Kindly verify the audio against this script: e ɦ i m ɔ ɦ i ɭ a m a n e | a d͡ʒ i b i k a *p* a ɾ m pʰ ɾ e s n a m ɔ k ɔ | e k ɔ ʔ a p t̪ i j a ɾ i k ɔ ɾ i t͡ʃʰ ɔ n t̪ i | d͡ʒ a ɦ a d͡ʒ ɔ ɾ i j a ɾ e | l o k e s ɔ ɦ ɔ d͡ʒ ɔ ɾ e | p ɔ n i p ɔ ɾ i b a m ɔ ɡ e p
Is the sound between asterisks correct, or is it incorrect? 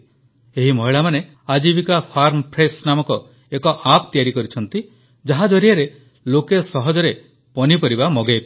incorrect